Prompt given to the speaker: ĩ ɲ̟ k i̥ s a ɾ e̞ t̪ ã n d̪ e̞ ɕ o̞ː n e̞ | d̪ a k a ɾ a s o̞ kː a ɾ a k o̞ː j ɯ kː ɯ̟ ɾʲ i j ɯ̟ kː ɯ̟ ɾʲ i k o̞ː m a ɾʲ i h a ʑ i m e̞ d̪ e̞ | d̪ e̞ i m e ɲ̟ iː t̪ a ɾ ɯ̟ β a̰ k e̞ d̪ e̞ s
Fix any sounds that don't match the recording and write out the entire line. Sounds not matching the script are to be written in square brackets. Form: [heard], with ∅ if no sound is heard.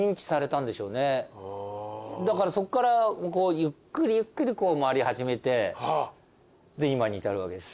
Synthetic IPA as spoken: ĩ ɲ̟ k i̥ s a ɾ e̞ t̪ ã n d̪ e̞ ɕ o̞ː n e̞ | d̪ a k a ɾ a s o̞ kː a ɾ a k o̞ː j ɯ kː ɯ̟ ɾʲ i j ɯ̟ kː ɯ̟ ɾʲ i k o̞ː m a ɾʲ i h a ʑ i m e̞ [t̪] e̞ | d̪ e̞ i m [a] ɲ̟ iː t̪ a ɾ ɯ̟ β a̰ k e̞ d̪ e̞ s

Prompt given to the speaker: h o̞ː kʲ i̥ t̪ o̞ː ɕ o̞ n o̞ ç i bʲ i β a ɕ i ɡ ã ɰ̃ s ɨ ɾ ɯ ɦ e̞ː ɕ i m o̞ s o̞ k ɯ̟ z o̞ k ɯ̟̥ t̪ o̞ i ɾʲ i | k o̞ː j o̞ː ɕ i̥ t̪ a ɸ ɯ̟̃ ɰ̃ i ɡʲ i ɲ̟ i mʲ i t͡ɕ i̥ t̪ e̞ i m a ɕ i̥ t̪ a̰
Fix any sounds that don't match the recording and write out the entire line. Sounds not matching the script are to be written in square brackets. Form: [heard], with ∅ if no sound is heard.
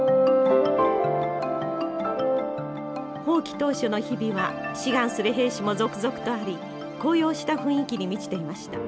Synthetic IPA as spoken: h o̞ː kʲ i̥ t̪ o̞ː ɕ o̞ n o̞ ç i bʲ i β a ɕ i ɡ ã ɰ̃ s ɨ ɾ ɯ ɦ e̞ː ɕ i m o̞ [z] o̞ k ɯ̟ z o̞ k ɯ̟̥ t̪ o̞ [a] ɾʲ i | k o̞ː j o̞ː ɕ i̥ t̪ a ɸ ɯ̟̃ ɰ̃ i [kʲ] i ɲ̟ i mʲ i t͡ɕ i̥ t̪ e̞ i m a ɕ i̥ t̪ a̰

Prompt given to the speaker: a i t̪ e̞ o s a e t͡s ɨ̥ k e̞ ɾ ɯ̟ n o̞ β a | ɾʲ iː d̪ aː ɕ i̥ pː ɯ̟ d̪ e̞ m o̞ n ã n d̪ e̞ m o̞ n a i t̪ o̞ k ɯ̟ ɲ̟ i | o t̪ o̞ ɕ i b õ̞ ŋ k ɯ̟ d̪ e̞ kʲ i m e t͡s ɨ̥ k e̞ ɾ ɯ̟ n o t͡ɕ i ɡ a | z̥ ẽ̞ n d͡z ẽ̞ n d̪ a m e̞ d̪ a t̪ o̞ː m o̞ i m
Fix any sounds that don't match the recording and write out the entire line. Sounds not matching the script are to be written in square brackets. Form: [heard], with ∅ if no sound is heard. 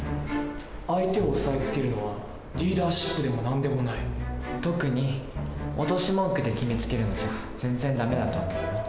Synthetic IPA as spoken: a i t̪ e̞ o s a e t͡s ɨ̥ k e̞ ɾ ɯ̟ n o̞ β a | ɾʲ iː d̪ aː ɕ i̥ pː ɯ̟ d̪ e̞ m o̞ n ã n d̪ e̞ m o̞ n a i t̪ o̞ k ɯ̟ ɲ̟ i | o t̪ o̞ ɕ i [m] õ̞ ŋ k ɯ̟ d̪ e̞ kʲ i m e t͡s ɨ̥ k e̞ ɾ ɯ̟ n o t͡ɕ i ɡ a | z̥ ẽ̞ n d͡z ẽ̞ n d̪ a m e̞ d̪ a t̪ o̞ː m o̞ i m

